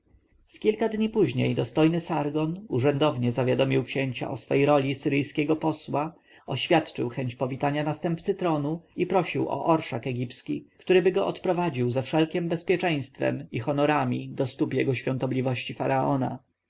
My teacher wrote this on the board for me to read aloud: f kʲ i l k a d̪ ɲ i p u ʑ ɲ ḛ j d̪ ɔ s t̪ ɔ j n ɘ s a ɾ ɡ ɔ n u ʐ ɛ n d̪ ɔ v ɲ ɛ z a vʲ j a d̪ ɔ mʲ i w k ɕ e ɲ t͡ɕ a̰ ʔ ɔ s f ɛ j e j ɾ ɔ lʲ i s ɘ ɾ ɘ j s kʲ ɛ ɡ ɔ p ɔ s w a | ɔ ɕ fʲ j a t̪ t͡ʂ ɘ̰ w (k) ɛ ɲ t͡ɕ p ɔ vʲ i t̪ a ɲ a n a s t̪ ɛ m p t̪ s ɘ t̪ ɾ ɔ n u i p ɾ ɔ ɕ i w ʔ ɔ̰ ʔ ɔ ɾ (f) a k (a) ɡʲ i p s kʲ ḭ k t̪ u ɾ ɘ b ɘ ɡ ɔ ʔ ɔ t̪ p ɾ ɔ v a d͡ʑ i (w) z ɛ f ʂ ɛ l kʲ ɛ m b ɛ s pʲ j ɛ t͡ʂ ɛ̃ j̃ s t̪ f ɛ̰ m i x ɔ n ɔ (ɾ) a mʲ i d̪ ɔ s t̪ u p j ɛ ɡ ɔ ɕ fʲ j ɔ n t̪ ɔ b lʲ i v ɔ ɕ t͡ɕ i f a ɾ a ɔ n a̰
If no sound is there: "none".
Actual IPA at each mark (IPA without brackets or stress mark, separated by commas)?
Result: x, ʂ, ɛ, w, ɾ